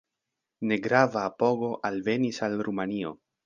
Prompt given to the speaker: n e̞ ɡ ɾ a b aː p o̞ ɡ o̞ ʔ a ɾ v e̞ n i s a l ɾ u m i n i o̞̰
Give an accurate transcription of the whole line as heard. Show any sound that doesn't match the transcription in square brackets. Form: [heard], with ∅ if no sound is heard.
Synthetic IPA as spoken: n e̞ ɡ ɾ a [v] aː p o̞ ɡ o̞ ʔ a [l] v e̞ n i s a l ɾ u m [a] n i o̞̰